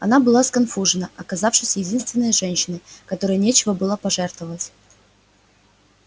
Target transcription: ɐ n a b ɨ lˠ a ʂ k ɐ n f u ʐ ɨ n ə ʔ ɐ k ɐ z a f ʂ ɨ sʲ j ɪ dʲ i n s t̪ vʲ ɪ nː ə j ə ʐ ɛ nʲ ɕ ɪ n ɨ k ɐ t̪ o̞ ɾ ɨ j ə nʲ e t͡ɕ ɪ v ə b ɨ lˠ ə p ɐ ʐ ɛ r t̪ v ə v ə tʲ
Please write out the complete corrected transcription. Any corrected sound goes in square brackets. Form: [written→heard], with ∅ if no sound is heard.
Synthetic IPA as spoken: ɐ n a b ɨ lˠ a [ʂ→s] k ɐ n f u ʐ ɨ n ə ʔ ɐ k ɐ z a f ʂ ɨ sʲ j ɪ dʲ i n s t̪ vʲ ɪ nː ə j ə ʐ ɛ nʲ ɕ ɪ n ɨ k ɐ t̪ o̞ ɾ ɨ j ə nʲ e t͡ɕ ɪ v ə b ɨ lˠ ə p ɐ ʐ ɛ r t̪ v ə v ə tʲ